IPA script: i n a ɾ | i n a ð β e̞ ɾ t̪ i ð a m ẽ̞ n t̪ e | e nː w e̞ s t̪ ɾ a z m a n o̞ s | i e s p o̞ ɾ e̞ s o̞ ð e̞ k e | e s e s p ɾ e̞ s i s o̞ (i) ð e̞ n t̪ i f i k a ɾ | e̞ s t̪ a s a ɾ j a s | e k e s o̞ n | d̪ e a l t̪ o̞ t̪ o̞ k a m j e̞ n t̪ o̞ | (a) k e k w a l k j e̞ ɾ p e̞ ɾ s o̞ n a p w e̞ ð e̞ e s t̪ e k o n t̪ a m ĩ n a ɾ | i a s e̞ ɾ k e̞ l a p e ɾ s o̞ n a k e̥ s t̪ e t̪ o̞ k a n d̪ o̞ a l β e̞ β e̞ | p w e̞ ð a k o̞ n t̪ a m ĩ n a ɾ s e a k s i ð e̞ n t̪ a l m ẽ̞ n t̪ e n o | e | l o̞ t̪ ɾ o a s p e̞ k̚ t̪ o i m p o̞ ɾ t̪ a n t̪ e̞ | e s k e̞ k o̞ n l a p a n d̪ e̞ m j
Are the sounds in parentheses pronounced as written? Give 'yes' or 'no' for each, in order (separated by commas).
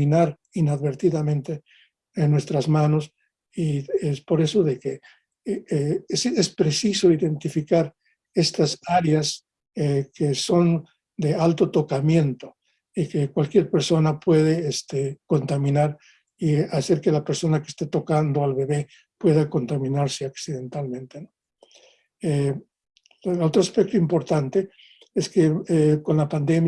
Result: yes, no